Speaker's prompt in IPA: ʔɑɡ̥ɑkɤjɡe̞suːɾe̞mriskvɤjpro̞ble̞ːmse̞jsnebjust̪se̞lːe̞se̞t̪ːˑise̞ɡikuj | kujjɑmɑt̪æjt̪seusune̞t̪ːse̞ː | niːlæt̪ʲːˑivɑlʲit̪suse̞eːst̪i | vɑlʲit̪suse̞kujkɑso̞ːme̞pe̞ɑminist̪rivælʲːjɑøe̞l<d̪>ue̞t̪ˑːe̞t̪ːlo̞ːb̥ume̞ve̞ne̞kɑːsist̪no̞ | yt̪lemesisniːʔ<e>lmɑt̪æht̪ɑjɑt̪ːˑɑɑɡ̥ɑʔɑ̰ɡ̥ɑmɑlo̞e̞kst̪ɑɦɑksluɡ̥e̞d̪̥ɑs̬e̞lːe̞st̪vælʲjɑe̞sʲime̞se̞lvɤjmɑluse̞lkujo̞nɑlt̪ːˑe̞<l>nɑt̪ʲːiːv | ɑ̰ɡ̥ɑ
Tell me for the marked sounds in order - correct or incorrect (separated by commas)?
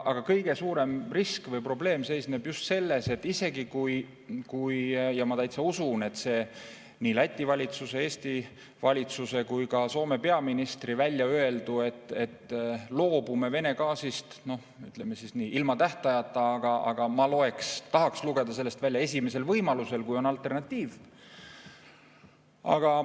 correct, incorrect, incorrect